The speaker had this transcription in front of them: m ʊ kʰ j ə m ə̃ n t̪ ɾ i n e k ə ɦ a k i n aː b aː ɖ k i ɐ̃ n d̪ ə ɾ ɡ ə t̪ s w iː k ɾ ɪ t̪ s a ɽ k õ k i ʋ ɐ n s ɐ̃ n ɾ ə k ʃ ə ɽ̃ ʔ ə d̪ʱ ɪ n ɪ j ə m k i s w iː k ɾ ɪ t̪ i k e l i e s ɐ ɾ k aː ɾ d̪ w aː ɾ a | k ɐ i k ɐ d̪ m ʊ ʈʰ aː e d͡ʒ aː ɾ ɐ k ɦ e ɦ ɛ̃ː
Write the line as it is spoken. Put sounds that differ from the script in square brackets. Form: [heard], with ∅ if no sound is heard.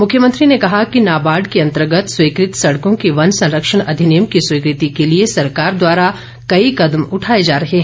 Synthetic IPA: m ʊ kʰ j ə m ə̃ n t̪ ɾ i n e k [ɐ] ɦ a k i n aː b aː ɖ k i ɐ̃ n [t̪] ə ɾ ɡ ə t̪ s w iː k ɾ ɪ t̪ s [ɐ] ɽ k õ k i ʋ ɐ n s ɐ̃ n ɾ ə k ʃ ə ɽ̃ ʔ [ɐ] d̪ʱ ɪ n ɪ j ə m k i s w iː k ɾ ɪ t̪ i k e l i e s ɐ ɾ k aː ɾ d̪ w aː ɾ a | k ɐ i k ɐ d̪ m ʊ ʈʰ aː e d͡ʒ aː ɾ ɐ [∅] ɦ e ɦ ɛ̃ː